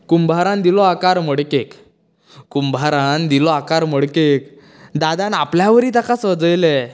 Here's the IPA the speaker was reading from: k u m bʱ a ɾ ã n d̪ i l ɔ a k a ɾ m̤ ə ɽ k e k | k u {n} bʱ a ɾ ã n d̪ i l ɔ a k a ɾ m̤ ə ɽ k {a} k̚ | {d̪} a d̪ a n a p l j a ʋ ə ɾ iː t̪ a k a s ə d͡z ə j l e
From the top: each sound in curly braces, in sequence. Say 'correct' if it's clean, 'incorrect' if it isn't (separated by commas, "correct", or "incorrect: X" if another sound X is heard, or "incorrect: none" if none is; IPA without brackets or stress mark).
incorrect: m, incorrect: e, correct